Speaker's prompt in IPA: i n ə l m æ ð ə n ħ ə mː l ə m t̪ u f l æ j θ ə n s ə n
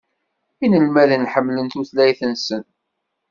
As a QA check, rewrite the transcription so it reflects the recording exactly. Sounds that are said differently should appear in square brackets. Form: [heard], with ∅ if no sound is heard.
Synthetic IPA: i n ə l m æ ð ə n ħ ə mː l ə [n] t̪ u [θ] l æ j θ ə n s ə n

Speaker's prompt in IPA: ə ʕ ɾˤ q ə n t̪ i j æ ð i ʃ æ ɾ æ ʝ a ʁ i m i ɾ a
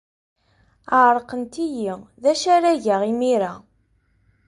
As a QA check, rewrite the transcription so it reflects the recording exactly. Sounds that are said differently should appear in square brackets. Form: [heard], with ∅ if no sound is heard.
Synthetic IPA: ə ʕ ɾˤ q ə n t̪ i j [i] ð [æ] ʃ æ ɾ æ ʝ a ʁ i m i ɾ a

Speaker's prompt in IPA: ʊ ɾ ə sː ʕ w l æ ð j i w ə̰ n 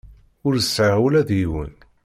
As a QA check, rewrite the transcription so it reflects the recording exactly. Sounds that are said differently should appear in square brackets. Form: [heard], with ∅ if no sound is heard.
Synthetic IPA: ʊ ɾ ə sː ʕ w l æ ð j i w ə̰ n

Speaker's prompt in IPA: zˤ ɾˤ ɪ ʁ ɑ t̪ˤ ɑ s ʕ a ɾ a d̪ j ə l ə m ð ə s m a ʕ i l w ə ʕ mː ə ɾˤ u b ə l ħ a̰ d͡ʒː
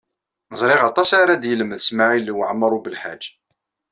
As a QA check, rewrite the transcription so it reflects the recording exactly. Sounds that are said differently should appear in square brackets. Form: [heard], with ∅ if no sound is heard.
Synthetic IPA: zˤ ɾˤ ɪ ʁ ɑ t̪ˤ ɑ s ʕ a ɾ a d̪ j ə l ə m ð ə s m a ʕ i l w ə ʕ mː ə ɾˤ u b ə l ħ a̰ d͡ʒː

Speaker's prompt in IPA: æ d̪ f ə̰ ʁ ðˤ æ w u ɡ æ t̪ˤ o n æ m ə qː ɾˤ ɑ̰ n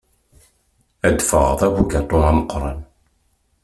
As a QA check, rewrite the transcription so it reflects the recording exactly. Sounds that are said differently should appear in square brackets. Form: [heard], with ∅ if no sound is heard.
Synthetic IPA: æ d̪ f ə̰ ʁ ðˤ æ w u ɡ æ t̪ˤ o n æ m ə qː ɾˤ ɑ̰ n

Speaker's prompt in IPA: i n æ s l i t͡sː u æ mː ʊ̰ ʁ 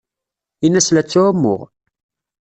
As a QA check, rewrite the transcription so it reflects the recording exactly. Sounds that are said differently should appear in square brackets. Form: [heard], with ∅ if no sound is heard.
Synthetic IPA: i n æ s l [æ] t͡sː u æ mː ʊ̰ ʁ

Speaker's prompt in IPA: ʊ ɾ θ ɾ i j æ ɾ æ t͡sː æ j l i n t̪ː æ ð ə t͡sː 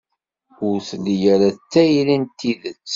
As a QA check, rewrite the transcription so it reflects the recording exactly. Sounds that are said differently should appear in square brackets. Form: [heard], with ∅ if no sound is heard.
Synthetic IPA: ʊ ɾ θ [l] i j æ ɾ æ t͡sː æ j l i n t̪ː [i] ð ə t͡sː

